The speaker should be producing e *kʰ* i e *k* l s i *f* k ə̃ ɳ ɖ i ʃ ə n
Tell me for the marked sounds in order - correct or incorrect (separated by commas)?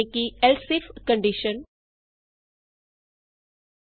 incorrect, incorrect, correct